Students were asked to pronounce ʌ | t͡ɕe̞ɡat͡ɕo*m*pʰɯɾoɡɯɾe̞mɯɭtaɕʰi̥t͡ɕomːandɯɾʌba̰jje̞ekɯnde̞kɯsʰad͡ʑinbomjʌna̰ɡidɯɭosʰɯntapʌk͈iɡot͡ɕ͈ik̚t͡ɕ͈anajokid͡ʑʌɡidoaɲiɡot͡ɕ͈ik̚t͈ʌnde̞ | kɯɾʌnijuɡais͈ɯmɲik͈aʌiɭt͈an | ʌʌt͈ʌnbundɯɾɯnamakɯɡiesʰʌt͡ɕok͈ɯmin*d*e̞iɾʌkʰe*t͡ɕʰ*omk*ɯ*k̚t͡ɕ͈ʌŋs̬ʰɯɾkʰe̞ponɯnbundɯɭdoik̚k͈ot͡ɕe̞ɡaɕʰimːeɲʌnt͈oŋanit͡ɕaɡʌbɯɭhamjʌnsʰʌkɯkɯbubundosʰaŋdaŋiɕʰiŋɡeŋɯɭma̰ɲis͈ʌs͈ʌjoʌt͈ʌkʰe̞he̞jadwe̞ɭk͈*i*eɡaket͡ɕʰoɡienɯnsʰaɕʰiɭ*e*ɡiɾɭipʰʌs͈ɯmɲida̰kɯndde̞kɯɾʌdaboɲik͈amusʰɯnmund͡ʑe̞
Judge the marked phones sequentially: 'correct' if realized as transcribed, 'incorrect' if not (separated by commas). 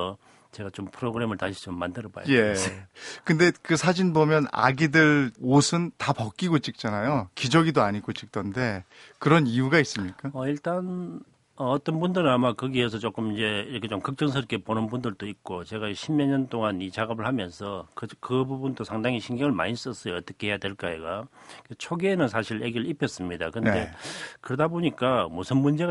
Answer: correct, incorrect, incorrect, correct, incorrect, correct